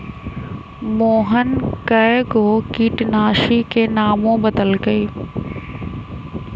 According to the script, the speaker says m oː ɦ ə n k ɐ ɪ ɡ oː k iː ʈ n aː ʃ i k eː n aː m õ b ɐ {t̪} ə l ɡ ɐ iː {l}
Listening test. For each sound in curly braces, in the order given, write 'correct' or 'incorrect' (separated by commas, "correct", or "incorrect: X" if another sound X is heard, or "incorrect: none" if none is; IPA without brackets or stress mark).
incorrect: d̪, incorrect: none